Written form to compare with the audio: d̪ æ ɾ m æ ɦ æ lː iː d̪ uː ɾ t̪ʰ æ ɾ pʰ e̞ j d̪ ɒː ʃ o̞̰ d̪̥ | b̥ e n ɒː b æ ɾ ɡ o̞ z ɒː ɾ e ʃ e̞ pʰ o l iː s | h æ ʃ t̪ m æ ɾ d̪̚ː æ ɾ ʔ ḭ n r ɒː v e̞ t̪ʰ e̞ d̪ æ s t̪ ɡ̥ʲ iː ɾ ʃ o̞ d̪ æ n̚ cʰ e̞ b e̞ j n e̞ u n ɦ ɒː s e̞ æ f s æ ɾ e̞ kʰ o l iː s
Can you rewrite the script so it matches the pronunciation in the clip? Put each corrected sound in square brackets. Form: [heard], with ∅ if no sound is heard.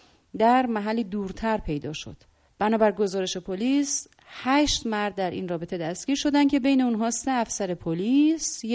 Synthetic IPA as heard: d̪ æ ɾ m æ ɦ æ lː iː d̪ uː ɾ t̪ʰ æ ɾ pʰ e̞ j d̪ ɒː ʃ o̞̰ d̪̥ | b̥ [æ] n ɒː b æ ɾ ɡ o̞ z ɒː ɾ e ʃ e̞ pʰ o l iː s | h æ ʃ t̪ m æ ɾ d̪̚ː æ ɾ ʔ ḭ n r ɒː [b] e̞ t̪ʰ e̞ d̪ æ s t̪ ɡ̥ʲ iː ɾ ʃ o̞ d̪ æ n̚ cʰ e̞ b e̞ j n e̞ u n ɦ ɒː s e̞ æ f s æ ɾ e̞ [pʰ] o l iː s